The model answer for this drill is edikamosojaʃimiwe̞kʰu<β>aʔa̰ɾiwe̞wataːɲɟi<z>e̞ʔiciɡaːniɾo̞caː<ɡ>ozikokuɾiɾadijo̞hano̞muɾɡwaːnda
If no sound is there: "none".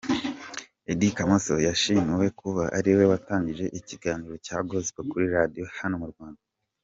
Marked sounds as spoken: β, ʒ, ɡ

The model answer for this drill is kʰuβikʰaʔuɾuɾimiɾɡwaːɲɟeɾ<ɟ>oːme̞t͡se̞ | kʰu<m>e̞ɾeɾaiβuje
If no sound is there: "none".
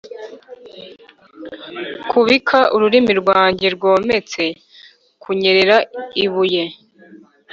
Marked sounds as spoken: ɡ, ɲ

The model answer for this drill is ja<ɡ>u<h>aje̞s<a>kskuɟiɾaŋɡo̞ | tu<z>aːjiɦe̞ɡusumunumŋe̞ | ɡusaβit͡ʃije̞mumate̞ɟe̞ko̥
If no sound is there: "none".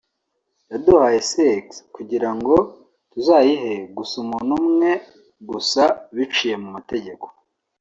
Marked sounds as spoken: d, h, e, z

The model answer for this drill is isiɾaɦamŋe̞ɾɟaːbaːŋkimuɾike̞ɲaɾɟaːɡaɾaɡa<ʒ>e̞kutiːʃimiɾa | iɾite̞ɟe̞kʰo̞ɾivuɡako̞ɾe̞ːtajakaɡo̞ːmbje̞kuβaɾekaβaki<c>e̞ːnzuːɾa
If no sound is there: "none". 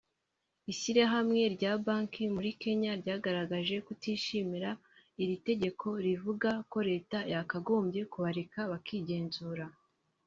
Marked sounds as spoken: ʒ, ɟ

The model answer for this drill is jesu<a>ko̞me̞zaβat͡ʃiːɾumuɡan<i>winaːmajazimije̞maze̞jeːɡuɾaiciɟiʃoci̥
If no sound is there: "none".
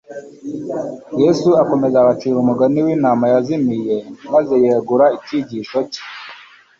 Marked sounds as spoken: a, i

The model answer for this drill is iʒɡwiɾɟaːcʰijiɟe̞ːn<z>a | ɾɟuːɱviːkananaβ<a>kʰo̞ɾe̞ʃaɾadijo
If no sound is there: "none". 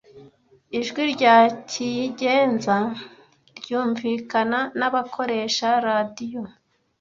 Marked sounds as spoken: z, a

